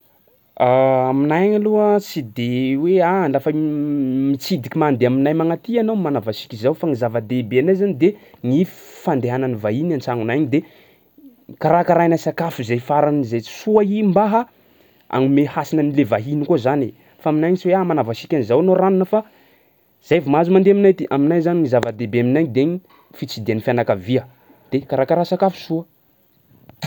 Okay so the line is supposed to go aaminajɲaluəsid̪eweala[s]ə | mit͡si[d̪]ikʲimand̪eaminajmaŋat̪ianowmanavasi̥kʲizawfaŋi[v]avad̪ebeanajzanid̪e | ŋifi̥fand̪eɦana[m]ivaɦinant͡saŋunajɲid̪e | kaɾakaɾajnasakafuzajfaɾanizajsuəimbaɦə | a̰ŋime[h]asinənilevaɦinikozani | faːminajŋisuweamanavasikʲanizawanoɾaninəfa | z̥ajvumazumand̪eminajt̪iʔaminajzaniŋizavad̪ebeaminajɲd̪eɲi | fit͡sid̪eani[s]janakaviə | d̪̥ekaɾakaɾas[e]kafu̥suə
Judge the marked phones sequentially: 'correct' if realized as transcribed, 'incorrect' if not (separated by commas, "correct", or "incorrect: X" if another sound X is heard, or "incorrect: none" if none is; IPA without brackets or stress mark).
incorrect: f, correct, incorrect: z, incorrect: n, correct, incorrect: f, incorrect: a